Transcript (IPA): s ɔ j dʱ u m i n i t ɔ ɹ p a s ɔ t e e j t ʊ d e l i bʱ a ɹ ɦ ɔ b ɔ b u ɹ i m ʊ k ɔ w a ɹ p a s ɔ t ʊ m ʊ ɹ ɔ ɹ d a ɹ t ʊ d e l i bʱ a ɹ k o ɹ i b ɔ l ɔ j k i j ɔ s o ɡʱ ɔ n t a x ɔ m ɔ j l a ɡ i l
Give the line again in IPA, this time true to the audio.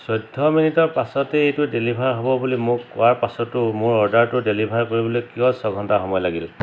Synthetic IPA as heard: s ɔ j dʱ ɔ m i n i t ɔ ɹ p a s ɔ t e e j t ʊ d e l i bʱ a ɹ ɦ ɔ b ɔ b u l i m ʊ k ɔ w a ɹ p a s ɔ t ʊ m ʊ ɹ ɔ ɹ d a ɹ t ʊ d e l i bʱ a ɹ k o ɹ i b ɔ l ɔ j k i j ɔ s ɔ ɡʱ ɔ n t a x ɔ m ɔ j l a ɡ i l